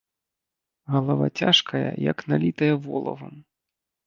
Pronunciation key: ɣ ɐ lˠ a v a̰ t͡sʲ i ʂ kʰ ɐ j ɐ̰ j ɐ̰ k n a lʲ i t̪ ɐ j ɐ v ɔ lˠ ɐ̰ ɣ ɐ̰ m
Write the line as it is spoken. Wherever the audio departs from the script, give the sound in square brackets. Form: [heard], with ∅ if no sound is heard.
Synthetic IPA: ɣ ɐ lˠ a v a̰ t͡sʲ [a] ʂ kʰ ɐ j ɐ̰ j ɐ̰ k n a lʲ i t̪ ɐ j ɐ v ɔ lˠ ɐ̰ [v] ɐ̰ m